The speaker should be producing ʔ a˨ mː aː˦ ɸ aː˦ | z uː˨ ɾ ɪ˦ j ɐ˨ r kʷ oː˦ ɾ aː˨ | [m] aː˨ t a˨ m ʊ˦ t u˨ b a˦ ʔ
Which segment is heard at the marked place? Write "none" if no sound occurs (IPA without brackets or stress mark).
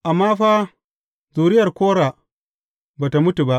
b